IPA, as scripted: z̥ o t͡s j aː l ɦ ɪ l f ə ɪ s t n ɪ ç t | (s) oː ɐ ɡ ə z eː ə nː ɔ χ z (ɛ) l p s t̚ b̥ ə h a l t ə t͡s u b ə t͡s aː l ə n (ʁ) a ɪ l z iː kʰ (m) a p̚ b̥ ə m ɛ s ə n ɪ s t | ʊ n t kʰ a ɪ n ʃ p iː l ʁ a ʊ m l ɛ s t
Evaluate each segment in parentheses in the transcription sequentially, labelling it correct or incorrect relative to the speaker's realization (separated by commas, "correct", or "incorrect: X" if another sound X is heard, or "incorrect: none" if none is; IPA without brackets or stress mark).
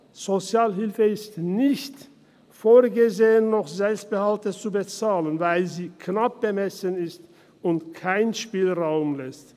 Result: incorrect: f, correct, incorrect: v, incorrect: n